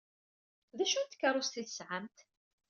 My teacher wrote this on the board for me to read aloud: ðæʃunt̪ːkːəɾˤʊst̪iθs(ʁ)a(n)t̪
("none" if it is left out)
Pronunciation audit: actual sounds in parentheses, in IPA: ʕ, m

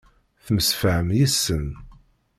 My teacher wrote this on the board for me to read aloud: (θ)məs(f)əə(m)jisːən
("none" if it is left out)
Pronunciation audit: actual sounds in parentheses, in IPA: θ, f, m

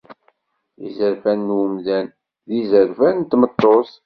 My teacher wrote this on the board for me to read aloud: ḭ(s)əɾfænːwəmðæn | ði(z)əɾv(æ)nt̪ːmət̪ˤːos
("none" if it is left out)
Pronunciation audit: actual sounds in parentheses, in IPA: z, z, æ

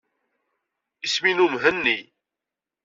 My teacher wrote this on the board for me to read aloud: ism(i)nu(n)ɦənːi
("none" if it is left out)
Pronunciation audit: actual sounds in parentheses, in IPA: i, m

